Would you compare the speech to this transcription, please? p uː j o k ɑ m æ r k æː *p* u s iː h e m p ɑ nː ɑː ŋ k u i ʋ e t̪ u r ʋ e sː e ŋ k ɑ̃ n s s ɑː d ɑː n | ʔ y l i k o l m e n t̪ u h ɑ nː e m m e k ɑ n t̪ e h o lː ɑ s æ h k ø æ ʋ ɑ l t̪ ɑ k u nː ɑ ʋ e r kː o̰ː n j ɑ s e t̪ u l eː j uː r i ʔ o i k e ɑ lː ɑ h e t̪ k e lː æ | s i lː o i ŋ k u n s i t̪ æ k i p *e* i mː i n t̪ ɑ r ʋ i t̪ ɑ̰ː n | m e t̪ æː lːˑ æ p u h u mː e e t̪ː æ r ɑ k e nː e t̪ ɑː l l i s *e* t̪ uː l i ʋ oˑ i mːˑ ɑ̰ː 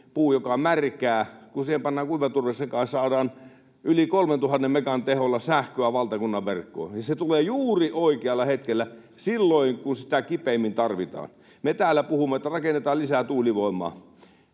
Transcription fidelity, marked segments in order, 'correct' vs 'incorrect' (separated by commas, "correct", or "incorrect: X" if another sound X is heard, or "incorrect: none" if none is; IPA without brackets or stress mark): incorrect: k, correct, incorrect: æ